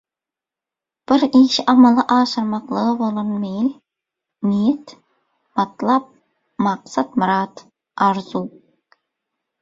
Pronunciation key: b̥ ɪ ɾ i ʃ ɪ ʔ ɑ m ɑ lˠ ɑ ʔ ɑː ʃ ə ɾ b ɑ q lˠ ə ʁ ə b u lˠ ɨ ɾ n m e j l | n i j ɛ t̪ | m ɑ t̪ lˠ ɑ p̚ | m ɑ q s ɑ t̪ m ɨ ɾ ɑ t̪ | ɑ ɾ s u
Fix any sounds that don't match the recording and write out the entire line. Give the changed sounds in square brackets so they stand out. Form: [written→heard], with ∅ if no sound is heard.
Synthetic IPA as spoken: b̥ ɪ ɾ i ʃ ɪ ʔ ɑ m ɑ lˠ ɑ ʔ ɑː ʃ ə ɾ [b→m] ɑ q lˠ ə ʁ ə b [u→o] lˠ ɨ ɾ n m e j l | n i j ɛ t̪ | m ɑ t̪ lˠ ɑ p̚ | m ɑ q s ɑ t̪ m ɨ ɾ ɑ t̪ | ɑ ɾ [s→z] u